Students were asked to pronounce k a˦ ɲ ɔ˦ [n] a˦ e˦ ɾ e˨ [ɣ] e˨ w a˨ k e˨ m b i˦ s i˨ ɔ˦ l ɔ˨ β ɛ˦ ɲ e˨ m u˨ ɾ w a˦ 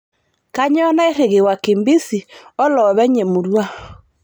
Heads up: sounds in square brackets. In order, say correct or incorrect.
correct, correct

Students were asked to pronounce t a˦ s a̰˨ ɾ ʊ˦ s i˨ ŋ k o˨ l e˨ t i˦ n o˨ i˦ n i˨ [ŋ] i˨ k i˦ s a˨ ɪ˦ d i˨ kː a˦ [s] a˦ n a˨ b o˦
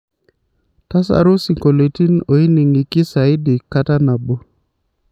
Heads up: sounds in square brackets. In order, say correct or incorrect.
correct, incorrect

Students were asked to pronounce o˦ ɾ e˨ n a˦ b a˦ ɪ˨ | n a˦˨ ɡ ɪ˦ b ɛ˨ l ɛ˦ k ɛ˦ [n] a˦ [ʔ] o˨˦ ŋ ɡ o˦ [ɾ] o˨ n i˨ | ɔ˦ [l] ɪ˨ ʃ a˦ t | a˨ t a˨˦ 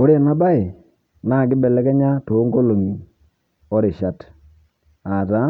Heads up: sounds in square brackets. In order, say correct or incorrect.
incorrect, incorrect, incorrect, incorrect

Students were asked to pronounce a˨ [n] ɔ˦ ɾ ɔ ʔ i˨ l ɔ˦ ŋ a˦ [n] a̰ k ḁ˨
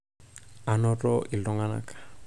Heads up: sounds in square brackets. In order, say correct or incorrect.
correct, correct

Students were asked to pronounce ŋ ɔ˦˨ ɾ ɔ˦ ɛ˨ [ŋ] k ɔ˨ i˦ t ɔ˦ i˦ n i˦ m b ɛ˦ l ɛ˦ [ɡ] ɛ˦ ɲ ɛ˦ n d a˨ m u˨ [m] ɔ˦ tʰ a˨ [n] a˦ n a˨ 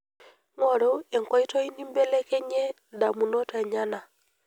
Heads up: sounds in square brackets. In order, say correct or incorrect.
correct, incorrect, incorrect, incorrect

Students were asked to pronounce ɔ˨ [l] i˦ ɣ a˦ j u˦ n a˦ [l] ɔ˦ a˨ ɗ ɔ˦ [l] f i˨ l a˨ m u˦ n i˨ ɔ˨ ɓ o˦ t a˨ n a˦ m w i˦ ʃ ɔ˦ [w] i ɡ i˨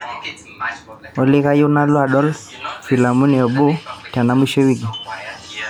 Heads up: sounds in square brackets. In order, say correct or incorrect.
correct, correct, correct, correct

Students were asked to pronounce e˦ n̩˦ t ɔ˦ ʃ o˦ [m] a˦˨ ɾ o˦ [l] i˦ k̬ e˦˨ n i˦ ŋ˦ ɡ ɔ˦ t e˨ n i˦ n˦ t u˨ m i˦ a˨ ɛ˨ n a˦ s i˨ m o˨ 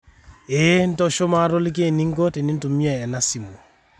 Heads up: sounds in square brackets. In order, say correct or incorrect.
correct, correct

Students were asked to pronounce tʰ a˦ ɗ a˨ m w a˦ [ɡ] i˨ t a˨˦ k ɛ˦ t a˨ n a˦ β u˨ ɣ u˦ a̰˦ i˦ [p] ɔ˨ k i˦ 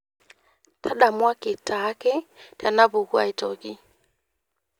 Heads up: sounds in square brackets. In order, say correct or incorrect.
incorrect, incorrect

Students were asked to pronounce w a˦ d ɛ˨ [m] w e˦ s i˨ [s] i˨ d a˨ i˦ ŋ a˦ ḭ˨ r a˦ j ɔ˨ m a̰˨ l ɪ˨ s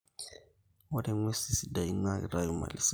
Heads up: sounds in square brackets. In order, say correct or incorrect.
incorrect, correct

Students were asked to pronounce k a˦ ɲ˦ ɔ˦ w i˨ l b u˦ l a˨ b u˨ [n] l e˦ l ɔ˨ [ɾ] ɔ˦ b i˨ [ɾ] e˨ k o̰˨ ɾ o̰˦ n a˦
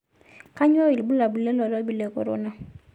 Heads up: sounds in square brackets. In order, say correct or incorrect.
incorrect, incorrect, incorrect

